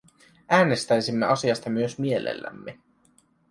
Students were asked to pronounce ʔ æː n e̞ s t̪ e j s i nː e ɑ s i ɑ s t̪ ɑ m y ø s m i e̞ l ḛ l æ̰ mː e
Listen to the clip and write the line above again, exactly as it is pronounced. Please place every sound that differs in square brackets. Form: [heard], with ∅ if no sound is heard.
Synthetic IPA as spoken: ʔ æː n e̞ s t̪ [æ] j s i [mː] e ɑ s i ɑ s t̪ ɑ m y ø s m i e̞ l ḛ [lː] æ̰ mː e